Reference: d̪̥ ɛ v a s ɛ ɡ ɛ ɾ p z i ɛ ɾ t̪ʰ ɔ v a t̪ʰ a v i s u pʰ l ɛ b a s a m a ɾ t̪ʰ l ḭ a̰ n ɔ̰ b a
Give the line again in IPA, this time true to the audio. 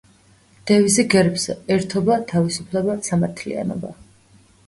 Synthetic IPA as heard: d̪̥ ɛ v i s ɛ ɡ ɛ ɾ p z ɛ ɛ ɾ t̪ʰ ɔ b a t̪ʰ a v i s u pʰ l ɛ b a s a m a ɾ t̪ʰ l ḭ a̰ n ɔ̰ b a